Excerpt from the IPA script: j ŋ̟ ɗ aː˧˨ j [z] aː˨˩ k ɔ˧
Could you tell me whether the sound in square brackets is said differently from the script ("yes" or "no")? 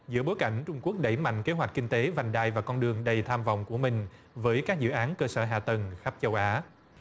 yes